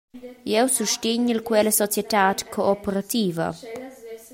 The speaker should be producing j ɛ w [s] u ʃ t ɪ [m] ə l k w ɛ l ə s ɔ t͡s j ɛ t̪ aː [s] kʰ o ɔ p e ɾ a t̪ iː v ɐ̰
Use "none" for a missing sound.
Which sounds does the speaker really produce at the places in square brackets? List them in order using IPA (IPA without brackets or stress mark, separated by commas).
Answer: s, ɲ, t